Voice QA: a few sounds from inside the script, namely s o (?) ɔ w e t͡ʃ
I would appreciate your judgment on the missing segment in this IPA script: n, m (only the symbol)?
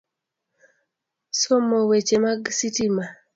m